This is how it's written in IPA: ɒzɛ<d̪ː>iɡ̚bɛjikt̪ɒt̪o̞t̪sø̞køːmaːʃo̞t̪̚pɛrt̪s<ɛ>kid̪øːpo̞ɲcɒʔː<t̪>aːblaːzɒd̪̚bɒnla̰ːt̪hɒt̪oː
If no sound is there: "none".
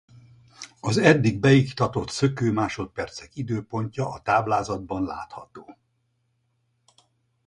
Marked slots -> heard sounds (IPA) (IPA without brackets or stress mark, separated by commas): d̪ː, ɛ, t̪